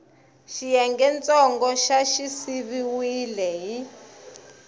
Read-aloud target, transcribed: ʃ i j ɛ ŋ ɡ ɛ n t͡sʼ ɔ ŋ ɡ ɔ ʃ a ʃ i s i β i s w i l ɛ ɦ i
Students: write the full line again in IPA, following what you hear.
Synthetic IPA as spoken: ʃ i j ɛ ŋ ɡ ɛ n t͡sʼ ɔ ŋ ɡ ɔ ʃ a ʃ i s i β i w i l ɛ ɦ i